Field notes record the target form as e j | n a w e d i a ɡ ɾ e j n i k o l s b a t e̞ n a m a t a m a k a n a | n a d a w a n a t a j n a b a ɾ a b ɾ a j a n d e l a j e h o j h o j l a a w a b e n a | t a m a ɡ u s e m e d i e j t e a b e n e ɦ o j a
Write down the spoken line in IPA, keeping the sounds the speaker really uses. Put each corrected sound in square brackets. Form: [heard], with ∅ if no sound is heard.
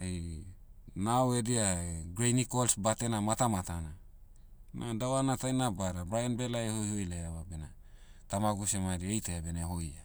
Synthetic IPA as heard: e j | n a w e d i a ɡ ɾ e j n i k o l s b a t e̞ n a m a t a m a [t] a n a | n a d a w a n a t a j n a b a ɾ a b ɾ a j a n [b] e l a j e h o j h o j l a a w a b e n a | t a m a ɡ u s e m [a] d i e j t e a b e n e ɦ o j a